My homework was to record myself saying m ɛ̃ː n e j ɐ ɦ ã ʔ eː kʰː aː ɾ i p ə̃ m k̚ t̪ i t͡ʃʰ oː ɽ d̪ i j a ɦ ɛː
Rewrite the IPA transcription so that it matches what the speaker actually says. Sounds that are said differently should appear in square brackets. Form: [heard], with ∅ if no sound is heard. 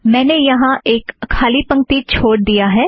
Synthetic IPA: m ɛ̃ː n e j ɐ ɦ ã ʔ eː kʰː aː [l] i p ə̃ [ŋ] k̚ t̪ i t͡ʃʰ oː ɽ d̪ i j a ɦ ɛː